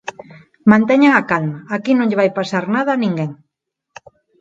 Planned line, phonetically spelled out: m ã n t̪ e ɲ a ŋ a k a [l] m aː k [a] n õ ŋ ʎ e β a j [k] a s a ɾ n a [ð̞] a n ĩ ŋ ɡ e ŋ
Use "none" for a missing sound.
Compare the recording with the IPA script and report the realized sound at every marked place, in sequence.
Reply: l, i, p, ð̞

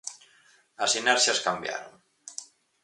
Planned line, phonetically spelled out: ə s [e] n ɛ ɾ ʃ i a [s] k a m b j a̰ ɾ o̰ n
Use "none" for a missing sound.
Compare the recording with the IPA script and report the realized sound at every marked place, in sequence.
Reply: i, s

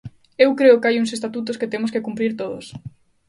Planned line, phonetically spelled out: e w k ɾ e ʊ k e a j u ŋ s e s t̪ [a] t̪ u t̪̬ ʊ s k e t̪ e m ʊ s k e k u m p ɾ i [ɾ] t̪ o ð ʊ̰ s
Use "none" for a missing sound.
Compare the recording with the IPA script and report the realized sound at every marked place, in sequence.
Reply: a, ɾ

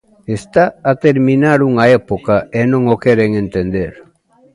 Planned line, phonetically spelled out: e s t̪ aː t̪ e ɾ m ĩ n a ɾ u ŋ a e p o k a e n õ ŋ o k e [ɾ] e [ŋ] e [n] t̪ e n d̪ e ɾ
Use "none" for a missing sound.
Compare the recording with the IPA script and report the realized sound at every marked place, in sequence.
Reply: ɾ, ŋ, n

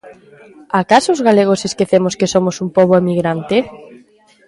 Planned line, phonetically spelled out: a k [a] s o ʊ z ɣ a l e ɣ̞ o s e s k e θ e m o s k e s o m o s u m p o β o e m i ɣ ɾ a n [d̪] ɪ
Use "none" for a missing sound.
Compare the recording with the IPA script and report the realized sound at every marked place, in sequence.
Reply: a, t̪

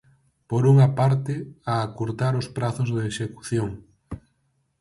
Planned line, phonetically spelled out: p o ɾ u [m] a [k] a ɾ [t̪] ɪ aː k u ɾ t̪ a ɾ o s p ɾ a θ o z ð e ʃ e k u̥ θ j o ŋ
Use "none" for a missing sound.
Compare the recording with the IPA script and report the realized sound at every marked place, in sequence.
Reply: ŋ, p, t̪

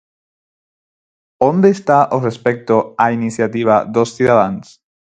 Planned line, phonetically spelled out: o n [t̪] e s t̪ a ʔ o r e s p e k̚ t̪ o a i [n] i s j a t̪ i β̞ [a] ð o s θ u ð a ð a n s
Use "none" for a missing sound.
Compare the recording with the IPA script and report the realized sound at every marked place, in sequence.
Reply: d̪, n, a

